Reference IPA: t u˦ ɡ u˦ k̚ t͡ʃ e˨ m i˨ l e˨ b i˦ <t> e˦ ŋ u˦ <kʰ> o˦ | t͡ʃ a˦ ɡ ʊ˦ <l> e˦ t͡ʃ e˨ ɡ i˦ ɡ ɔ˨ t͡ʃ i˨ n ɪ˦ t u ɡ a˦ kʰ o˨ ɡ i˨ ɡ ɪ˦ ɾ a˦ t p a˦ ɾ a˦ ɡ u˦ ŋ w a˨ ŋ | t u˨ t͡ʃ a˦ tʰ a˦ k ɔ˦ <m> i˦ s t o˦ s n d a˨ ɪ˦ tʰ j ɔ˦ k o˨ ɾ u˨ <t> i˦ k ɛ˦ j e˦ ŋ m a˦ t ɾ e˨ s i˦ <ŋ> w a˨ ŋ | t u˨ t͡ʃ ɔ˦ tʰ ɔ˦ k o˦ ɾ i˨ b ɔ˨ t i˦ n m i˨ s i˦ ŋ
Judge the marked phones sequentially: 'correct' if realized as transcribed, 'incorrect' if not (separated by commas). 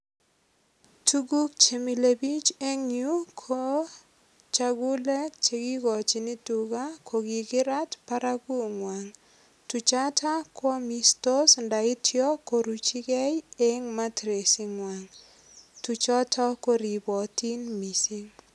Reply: incorrect, correct, correct, correct, incorrect, correct